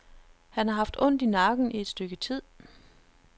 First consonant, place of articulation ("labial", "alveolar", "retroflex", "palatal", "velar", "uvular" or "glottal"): glottal